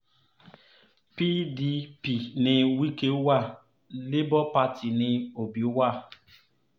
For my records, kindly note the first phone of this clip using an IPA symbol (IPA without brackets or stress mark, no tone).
p